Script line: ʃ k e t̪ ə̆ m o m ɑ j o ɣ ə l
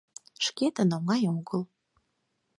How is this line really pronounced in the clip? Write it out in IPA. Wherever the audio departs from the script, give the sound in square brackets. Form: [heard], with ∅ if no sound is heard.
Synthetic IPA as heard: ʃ k e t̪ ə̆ [n] o [ŋ] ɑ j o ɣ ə l